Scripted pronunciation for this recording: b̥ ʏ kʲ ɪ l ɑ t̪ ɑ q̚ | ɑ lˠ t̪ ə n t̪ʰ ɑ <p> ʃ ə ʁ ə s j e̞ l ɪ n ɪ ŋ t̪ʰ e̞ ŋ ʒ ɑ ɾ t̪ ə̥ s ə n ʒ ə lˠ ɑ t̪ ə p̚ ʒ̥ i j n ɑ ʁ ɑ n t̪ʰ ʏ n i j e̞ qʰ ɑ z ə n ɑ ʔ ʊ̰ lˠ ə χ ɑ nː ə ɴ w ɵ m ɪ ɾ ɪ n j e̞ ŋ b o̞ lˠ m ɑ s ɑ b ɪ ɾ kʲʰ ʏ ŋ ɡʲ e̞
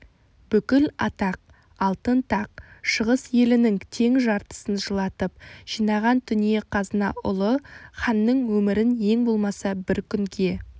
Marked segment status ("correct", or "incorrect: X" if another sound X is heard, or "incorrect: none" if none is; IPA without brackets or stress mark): incorrect: q